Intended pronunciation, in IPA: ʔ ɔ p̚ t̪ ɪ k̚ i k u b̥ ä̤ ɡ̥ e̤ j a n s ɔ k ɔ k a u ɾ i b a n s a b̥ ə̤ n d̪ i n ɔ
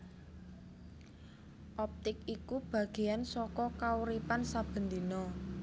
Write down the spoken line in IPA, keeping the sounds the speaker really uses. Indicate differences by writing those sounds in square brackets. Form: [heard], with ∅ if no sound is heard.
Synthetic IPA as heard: ʔ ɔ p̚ t̪ ɪ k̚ i k u b̥ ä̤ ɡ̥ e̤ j a n s ɔ k ɔ k a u ɾ i [p] a n s a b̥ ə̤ n d̪ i n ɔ